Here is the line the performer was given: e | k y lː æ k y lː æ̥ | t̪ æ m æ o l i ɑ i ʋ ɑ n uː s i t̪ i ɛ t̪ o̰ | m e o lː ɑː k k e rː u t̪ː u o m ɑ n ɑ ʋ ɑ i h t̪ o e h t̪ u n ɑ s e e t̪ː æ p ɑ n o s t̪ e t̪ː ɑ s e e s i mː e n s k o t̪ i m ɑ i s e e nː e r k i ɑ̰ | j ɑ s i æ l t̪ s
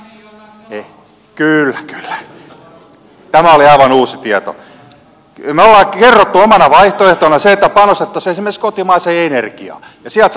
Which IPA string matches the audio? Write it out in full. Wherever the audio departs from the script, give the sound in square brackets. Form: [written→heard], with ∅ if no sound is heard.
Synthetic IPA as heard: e | k y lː æ k y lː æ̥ | t̪ æ m æ o l i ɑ i ʋ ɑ n uː s i t̪ i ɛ t̪ o̰ | m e o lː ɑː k k e rː [u→o] t̪ː u o m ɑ n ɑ ʋ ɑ i h t̪ o e h t̪ [u→o] n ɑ s e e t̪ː æ p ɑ n o s t̪ e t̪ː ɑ s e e s i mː e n s k o t̪ i m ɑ i s e e [nː→n] e r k i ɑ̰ | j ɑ s i æ l t̪ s